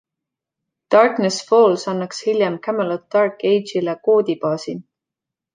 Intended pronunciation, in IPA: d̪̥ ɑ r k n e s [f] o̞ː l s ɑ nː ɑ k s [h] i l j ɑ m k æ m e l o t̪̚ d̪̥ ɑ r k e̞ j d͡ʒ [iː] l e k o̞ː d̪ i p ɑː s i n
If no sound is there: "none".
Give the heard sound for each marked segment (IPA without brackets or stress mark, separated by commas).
f, h, i